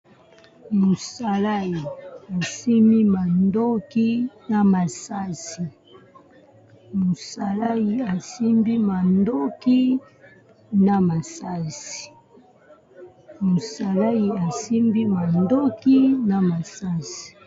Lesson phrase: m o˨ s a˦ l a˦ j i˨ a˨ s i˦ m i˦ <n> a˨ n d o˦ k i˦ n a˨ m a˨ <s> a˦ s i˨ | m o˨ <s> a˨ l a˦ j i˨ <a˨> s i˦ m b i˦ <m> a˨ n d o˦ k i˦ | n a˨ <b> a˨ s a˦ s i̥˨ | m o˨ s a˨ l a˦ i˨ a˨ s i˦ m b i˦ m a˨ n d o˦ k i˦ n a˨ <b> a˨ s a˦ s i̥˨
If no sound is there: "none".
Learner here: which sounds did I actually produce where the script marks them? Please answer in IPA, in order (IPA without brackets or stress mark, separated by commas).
m, s, s, a˨, m, m, m